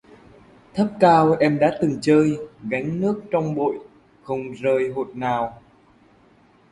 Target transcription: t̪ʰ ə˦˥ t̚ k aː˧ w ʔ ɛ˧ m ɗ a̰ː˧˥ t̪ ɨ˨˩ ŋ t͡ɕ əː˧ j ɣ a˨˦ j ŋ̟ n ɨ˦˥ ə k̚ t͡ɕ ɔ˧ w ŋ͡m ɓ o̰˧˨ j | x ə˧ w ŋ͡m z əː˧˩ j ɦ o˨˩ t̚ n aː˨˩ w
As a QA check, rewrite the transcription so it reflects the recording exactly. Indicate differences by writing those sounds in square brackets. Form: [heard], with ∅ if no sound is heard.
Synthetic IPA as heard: t̪ʰ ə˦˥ [p̚] k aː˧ w ʔ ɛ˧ m ɗ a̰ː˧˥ t̪ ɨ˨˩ ŋ t͡ɕ əː˧ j ɣ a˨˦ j ŋ̟ n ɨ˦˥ ə k̚ t͡ɕ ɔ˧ w ŋ͡m ɓ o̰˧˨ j | x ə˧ w ŋ͡m z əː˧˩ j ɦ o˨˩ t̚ n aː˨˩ w